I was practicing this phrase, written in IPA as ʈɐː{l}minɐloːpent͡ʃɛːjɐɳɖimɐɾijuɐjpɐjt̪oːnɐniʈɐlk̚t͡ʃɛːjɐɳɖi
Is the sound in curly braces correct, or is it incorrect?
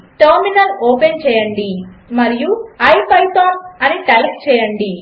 incorrect